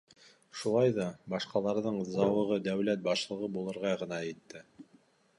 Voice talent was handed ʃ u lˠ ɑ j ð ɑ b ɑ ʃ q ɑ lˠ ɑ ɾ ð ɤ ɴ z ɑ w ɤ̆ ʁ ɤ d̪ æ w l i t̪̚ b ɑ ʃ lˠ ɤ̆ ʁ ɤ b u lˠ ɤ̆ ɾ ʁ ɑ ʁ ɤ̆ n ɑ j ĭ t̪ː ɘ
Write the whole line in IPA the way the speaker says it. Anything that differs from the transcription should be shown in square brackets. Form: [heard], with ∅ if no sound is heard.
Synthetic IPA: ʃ u lˠ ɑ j ð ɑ b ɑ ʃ q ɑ lˠ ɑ ɾ ð ɤ ɴ z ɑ w ɤ̆ ʁ ɤ d̪ æ w l [æ] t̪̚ b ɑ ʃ lˠ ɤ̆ ʁ ɤ b u lˠ ɤ̆ ɾ ʁ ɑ ʁ ɤ̆ n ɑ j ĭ t̪ː ɘ